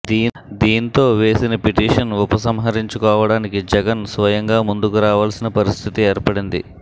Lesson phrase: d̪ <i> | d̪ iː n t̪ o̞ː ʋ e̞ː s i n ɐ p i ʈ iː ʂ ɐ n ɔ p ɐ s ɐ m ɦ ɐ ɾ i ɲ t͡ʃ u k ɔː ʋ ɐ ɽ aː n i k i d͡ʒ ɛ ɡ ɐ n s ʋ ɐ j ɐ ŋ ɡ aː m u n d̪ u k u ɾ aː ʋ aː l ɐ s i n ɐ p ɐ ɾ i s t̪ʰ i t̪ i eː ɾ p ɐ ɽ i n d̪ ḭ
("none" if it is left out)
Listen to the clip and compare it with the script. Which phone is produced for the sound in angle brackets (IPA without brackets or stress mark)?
iː